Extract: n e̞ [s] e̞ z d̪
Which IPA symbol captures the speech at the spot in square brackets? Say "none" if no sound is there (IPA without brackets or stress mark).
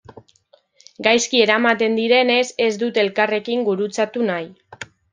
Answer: s